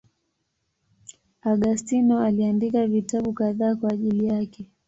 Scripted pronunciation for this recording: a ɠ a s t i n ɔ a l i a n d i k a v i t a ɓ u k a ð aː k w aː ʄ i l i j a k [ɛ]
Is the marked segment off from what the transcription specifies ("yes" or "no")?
no